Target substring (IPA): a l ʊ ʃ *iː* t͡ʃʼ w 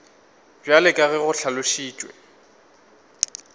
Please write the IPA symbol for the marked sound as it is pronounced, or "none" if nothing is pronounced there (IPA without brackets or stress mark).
iː